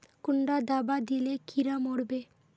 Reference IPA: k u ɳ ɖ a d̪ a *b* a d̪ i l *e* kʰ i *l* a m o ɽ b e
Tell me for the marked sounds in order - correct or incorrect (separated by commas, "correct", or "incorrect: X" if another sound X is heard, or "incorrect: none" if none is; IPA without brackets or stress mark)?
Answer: correct, correct, incorrect: ɾ